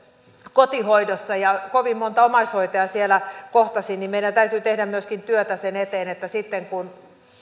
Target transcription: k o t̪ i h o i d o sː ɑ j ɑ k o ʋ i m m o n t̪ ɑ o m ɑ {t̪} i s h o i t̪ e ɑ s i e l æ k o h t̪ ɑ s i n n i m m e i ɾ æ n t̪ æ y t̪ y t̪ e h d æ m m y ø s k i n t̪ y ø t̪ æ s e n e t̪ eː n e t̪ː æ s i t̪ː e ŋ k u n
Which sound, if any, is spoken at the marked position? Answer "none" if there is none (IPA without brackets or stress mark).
none